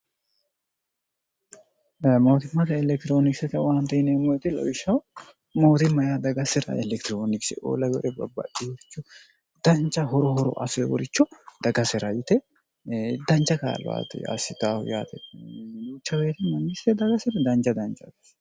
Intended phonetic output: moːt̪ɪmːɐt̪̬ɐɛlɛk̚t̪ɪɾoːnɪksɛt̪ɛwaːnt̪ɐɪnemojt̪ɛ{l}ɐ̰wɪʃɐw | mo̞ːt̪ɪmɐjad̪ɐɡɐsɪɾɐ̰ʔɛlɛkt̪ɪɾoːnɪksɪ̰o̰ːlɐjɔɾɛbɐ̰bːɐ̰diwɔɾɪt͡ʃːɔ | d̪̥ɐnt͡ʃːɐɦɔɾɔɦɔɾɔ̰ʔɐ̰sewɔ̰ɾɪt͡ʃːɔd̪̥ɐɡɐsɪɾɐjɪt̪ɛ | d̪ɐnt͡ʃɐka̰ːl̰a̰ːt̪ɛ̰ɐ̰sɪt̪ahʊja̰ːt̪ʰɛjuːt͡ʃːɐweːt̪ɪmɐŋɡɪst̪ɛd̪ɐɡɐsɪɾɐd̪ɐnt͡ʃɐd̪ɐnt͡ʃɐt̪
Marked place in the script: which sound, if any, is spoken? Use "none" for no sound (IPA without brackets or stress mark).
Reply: l